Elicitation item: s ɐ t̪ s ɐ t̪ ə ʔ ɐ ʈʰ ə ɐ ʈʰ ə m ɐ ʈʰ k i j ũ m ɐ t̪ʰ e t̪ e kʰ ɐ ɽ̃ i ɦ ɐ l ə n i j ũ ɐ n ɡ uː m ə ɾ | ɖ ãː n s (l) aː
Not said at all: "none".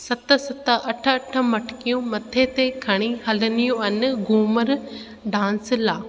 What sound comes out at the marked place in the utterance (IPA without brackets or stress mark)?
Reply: l